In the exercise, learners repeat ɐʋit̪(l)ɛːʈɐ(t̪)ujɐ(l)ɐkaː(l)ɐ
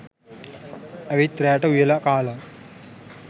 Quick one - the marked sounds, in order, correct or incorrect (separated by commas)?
incorrect, incorrect, correct, correct